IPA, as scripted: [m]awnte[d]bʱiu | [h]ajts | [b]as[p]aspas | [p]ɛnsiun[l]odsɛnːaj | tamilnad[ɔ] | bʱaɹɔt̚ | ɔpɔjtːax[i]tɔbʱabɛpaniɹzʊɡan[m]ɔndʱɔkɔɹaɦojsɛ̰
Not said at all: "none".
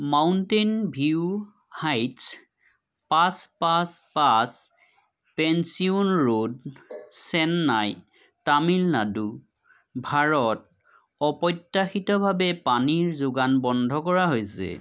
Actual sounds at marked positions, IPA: m, n, h, p, p, p, ɹ, u, i, b

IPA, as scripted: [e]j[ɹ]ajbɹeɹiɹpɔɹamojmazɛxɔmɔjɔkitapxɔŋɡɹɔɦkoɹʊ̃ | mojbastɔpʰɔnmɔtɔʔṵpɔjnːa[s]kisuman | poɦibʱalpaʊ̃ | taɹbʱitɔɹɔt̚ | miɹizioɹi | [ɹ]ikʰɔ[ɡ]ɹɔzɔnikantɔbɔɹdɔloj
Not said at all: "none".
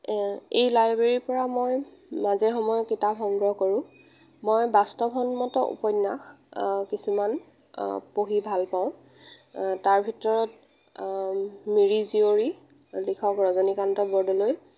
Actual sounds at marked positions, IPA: e, l, x, l, k

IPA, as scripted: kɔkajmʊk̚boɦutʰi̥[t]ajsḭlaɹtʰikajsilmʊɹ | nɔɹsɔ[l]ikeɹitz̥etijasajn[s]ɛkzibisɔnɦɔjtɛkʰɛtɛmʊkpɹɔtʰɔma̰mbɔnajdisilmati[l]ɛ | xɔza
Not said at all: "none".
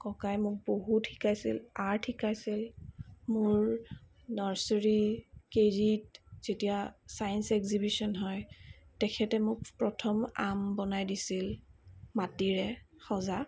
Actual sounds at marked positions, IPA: k, ɹ, s, ɹ

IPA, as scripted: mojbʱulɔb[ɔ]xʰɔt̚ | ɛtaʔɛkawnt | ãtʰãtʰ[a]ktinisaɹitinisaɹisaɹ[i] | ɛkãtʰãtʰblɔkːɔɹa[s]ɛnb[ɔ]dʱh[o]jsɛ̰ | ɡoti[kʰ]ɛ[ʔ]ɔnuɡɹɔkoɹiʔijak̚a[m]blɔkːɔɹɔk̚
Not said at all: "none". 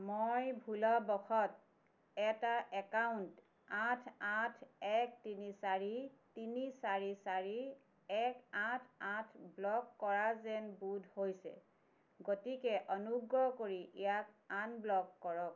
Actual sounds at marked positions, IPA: ɔ, ɛ, i, z, u, o, k, ʔ, n

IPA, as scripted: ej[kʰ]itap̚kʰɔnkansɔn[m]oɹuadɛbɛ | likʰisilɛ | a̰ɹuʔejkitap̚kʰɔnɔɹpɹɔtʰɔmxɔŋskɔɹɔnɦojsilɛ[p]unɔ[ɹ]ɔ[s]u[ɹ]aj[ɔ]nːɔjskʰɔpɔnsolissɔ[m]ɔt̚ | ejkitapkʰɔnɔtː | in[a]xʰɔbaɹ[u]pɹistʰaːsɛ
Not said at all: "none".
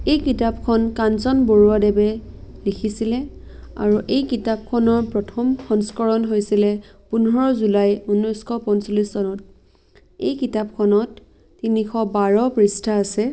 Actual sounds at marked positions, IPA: k, b, p, ɹ, z, l, u, n, i, ɔ

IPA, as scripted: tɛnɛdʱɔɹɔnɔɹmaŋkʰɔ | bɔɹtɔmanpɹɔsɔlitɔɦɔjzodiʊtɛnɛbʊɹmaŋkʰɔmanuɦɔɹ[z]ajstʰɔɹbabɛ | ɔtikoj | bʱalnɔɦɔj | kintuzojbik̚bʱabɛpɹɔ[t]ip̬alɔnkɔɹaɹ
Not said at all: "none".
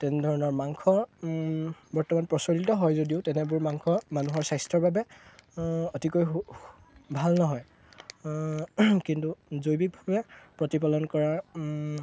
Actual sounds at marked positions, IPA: s, t

